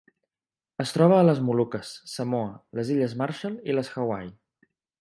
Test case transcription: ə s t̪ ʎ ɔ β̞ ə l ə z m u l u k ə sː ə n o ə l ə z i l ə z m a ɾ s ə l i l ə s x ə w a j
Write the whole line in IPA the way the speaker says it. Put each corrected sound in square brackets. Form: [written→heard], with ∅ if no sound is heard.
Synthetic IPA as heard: ə s t̪ [ʎ→ɾ] ɔ β̞ [ə→əː] l ə z m u l u k ə sː ə [n→m] o ə l ə z i [l→ʎ] ə z m a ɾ [s→ʃ] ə l i l ə s x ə w a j